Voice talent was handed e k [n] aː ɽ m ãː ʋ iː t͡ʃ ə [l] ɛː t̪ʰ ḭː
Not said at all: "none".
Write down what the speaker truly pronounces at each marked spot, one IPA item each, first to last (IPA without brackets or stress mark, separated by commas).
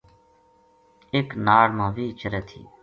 n, ɾ